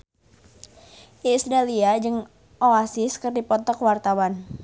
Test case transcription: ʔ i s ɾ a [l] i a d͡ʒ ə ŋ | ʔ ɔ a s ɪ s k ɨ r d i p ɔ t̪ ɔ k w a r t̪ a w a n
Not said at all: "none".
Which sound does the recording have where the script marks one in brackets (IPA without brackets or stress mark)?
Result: l